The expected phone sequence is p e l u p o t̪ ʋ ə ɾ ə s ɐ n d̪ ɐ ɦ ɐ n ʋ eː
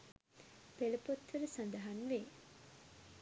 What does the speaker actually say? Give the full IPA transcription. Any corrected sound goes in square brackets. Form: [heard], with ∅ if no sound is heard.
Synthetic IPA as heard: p e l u p o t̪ ʋ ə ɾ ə s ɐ n d̪ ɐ ɦ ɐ n ʋ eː

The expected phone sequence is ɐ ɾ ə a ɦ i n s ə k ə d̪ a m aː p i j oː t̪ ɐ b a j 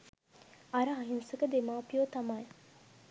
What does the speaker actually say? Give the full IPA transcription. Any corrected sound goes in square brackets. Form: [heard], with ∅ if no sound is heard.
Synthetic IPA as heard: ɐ ɾ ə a ɦ i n s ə k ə d̪ [e] m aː p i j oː t̪ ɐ [m] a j

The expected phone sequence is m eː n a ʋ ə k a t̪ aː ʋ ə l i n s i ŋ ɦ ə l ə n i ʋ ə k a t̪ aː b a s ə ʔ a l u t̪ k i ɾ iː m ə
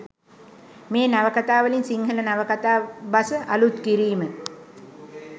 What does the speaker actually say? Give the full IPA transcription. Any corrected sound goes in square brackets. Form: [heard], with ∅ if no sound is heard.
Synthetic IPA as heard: m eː n a ʋ ə k a t̪ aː ʋ ə l i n s i ŋ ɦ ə l ə n [a] ʋ ə k a t̪ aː b a s ə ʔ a l u t̪ k i ɾ iː m ə

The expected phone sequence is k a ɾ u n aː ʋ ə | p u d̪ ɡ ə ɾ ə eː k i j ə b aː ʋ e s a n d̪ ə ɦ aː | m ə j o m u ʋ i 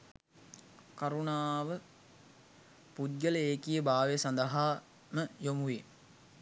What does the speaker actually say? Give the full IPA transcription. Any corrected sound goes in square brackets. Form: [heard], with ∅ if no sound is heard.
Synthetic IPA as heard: k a ɾ u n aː ʋ ə | p u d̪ ɡ ə [l] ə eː k i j ə b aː ʋ e s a n d̪ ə ɦ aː | m ə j o m u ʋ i

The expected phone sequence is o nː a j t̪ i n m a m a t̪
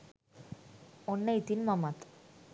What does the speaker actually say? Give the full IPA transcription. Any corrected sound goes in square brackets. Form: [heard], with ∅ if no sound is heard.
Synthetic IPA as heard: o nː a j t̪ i n m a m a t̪

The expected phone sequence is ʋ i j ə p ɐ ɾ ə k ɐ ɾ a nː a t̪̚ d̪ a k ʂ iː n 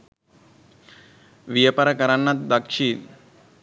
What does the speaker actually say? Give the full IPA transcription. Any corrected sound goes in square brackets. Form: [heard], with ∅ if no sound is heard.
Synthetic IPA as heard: ʋ i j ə p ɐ ɾ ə k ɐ ɾ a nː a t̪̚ d̪ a k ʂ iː n

